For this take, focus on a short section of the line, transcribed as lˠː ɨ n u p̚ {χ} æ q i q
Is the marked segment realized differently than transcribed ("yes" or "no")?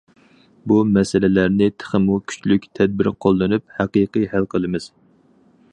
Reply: yes